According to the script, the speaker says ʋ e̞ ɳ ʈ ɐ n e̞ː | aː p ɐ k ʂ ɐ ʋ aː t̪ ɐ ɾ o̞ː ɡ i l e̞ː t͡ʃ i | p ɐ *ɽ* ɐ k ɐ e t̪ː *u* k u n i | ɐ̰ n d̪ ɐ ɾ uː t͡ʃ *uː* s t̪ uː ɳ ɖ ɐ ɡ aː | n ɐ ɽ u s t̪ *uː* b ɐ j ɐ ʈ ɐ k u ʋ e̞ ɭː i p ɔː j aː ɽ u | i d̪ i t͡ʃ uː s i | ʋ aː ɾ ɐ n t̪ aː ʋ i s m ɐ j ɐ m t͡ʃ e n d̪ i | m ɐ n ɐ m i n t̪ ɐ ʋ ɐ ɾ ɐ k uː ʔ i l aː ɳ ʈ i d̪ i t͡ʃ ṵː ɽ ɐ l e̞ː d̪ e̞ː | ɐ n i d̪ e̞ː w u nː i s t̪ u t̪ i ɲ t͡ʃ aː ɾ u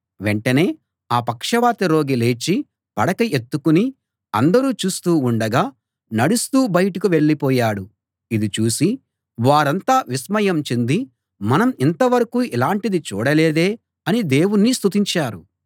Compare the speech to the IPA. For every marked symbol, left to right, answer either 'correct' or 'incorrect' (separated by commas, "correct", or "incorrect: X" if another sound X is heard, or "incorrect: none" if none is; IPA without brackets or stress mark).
correct, correct, correct, correct